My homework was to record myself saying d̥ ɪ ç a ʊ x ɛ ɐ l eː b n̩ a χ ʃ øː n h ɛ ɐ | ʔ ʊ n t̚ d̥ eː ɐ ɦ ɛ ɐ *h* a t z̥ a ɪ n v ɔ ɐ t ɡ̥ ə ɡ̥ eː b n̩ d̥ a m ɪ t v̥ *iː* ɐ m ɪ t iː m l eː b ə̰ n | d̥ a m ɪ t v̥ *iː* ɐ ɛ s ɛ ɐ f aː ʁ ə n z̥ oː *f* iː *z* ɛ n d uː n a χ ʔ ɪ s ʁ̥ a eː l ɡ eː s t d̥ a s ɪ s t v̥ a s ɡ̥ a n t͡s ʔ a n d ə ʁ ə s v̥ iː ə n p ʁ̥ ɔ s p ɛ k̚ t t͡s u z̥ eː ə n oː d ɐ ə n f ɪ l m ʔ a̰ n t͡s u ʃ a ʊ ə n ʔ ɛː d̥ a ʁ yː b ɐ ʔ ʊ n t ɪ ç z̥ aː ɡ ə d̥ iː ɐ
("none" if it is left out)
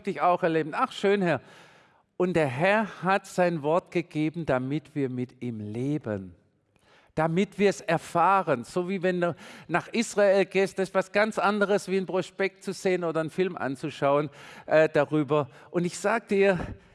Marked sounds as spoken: h, iː, iː, v, v

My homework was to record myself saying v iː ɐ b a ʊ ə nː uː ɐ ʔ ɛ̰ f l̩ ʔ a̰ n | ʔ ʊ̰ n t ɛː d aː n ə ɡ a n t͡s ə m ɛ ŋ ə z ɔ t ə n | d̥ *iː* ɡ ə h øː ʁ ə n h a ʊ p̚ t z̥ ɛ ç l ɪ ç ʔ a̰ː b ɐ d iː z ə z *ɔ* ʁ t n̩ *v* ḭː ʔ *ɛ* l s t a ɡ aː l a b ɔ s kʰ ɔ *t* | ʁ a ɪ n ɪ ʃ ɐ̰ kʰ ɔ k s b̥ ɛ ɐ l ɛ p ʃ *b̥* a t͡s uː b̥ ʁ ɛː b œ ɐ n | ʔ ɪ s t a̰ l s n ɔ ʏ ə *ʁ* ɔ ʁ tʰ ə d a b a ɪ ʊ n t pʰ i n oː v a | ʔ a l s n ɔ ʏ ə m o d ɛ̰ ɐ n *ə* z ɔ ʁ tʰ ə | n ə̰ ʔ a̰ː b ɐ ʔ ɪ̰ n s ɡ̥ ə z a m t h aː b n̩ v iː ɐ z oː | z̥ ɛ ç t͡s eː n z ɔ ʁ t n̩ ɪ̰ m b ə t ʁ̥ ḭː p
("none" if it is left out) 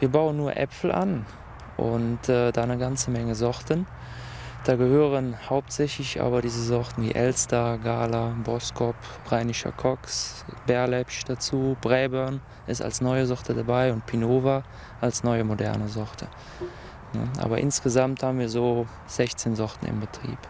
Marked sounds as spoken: aː, ɔ, v, ɛ, p, d̥, z, ə

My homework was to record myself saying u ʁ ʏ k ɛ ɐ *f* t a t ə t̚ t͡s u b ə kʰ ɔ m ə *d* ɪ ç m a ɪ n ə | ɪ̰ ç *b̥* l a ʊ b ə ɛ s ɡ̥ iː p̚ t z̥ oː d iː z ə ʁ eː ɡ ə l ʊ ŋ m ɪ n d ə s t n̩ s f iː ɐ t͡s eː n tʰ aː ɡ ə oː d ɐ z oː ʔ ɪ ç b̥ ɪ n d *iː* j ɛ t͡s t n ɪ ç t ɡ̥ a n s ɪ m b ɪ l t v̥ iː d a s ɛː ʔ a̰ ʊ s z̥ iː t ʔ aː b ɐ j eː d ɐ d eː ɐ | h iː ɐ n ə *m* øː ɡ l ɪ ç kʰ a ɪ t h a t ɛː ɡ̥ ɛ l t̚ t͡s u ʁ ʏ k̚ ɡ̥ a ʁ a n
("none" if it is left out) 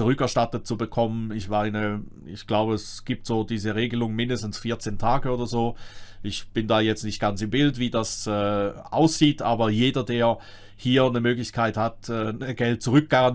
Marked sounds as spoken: ʃ, n, ɡ̥, aː, m

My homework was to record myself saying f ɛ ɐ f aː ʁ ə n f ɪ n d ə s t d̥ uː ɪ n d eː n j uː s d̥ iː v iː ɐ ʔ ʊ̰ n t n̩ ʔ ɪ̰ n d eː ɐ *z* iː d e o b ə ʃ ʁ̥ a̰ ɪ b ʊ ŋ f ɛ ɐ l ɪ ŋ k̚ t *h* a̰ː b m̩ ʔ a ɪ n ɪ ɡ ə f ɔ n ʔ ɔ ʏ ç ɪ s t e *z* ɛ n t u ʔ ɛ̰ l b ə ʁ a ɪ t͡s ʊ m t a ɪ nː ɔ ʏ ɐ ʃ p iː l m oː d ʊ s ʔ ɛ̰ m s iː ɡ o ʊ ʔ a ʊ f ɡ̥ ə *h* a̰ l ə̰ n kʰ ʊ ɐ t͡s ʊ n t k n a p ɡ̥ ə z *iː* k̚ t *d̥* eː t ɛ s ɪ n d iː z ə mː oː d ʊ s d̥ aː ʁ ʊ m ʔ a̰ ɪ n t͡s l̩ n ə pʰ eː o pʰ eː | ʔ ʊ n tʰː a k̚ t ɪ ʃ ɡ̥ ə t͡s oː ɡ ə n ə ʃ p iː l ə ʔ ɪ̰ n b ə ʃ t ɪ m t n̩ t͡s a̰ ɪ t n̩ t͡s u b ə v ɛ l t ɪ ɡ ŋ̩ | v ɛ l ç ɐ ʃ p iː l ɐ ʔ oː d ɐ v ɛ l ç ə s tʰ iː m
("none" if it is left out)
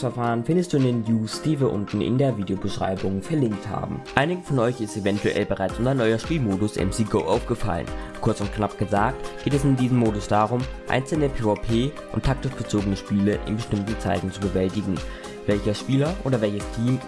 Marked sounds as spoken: v, h, v, f, aː, ɡ̥

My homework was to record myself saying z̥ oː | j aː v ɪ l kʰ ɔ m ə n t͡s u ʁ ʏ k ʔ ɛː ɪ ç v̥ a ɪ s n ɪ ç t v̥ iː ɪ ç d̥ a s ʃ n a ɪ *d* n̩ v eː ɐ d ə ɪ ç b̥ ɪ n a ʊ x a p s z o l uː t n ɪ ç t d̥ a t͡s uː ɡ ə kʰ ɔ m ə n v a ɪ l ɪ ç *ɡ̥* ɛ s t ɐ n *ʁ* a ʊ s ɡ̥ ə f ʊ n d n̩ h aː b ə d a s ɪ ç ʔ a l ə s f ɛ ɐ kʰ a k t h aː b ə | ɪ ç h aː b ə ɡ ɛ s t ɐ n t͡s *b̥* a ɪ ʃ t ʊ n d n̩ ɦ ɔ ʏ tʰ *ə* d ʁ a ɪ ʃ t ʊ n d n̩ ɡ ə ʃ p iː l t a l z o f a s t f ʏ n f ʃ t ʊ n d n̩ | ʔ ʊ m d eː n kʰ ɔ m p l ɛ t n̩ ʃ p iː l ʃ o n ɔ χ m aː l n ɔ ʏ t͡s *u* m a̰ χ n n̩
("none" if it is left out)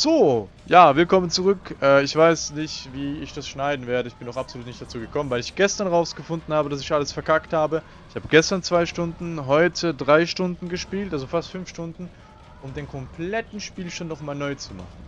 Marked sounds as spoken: d, ɡ̥, ʁ, v̥, ə, u

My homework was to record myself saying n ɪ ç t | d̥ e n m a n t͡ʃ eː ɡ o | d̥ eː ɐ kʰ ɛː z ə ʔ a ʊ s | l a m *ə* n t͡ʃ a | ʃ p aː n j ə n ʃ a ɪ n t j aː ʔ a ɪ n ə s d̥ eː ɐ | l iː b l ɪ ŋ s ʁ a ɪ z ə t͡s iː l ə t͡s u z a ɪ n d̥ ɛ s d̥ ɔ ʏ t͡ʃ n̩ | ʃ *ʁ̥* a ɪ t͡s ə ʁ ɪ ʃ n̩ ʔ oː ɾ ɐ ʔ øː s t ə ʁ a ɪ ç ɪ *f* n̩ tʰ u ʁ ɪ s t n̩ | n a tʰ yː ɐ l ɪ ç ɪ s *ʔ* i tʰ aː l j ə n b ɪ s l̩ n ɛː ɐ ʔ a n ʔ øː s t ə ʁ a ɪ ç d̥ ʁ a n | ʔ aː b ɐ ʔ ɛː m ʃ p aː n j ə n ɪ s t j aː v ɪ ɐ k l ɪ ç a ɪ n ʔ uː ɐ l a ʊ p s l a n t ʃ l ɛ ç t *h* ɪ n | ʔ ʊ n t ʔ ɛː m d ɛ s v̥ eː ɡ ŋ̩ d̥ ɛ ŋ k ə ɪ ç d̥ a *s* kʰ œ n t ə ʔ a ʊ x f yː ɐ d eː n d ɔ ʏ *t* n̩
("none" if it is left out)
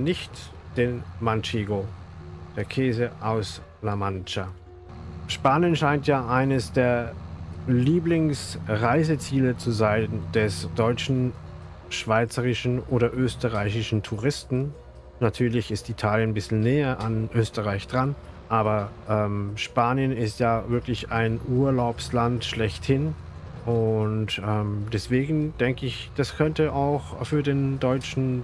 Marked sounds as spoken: a, v̥, ʃ, t, h, s, t͡ʃ

